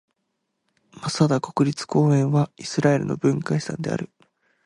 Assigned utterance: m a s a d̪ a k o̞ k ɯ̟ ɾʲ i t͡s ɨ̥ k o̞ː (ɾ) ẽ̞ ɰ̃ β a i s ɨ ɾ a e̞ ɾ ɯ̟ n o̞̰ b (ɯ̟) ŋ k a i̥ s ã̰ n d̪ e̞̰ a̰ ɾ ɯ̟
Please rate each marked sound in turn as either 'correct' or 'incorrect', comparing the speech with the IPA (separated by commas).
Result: incorrect, incorrect